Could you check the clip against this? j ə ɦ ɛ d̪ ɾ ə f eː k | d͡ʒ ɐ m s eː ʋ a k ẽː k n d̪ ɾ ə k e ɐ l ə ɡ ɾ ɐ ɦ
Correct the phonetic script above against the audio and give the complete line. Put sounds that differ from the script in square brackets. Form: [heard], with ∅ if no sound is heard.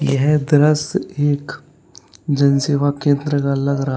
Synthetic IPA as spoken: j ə ɦ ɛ d̪ ɾ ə [s] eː k | d͡ʒ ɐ [n] s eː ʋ a k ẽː [∅] n d̪ ɾ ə k [a] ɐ l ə ɡ ɾ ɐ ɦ